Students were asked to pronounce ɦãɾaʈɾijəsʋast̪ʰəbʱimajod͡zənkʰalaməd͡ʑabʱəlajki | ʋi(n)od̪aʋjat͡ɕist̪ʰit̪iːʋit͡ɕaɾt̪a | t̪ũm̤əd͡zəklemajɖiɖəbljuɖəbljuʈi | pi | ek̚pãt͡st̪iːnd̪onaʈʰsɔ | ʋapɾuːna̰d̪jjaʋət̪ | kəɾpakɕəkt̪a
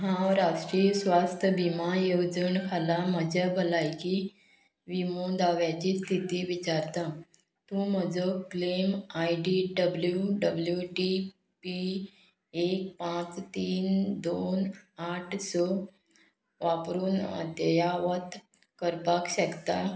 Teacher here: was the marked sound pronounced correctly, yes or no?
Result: no